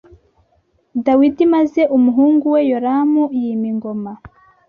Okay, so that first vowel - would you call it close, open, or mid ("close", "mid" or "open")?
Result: open